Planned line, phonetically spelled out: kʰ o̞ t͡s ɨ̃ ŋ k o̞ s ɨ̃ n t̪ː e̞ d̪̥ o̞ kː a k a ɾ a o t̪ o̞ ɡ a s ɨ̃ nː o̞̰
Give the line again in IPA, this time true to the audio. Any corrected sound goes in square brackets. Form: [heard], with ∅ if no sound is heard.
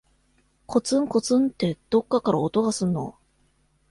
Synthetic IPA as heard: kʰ o̞ t͡s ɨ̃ ŋ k o̞ [t͡s] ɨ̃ n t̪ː e̞ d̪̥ o̞ kː a k a ɾ a o t̪ o̞ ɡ a s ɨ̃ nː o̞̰